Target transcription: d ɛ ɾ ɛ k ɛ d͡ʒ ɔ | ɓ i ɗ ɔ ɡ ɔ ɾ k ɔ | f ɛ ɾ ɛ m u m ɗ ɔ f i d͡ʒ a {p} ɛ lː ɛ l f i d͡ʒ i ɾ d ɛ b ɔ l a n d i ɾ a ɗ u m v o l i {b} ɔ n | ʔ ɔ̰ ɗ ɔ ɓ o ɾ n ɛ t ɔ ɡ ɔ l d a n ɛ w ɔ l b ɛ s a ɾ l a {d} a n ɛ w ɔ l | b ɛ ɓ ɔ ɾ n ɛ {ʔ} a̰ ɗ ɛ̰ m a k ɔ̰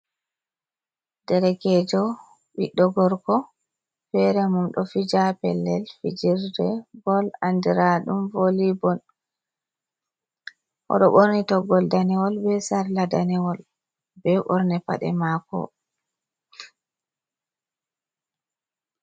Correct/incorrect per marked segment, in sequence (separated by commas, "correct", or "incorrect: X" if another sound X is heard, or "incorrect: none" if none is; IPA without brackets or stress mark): correct, correct, correct, incorrect: p